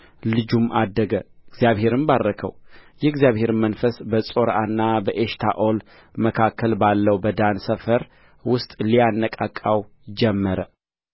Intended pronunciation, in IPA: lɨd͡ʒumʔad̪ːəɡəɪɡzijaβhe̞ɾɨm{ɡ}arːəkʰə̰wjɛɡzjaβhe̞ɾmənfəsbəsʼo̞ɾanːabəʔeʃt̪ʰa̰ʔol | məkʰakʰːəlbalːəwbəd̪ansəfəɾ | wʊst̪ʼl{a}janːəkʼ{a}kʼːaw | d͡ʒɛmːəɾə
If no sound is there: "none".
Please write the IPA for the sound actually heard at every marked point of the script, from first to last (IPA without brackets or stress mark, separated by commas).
b, i, a